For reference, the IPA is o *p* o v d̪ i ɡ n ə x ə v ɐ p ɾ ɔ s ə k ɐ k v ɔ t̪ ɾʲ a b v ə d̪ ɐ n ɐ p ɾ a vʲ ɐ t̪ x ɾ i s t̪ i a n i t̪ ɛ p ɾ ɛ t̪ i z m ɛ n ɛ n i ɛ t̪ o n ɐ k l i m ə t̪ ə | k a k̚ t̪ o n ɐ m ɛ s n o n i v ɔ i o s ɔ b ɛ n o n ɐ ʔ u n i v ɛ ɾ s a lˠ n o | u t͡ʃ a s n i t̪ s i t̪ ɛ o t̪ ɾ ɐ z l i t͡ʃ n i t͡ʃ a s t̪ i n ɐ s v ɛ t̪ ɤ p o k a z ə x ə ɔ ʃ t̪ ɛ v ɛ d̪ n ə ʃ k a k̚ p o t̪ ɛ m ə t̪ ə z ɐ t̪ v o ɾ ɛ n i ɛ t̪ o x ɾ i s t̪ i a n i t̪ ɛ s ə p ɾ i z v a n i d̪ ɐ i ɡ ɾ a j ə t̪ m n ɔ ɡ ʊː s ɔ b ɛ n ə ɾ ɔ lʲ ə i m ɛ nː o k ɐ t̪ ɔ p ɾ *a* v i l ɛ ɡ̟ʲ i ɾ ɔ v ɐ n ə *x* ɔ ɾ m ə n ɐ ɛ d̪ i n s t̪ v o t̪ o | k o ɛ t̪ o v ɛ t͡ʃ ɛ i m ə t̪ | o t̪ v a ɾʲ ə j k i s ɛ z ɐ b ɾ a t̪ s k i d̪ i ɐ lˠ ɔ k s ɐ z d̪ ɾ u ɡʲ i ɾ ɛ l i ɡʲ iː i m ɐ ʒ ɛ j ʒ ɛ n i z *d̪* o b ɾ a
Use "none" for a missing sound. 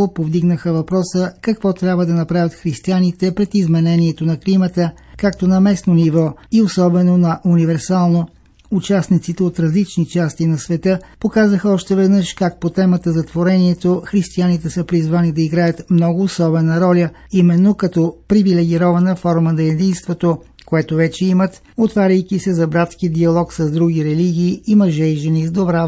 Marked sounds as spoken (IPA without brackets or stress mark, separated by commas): p, i, f, d̪